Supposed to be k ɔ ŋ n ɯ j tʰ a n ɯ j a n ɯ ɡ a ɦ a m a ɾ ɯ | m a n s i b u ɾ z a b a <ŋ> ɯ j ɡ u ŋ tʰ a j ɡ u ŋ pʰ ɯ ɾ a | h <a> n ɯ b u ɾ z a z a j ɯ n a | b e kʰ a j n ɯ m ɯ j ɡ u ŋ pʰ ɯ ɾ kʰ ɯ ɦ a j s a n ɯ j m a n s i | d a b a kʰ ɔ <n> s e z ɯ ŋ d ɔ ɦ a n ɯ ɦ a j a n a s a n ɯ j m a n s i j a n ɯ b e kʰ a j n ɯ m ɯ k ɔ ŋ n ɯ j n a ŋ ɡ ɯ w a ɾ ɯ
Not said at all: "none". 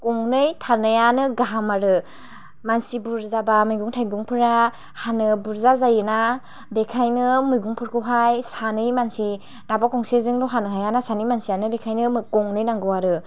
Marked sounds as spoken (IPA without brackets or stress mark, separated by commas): m, a, ŋ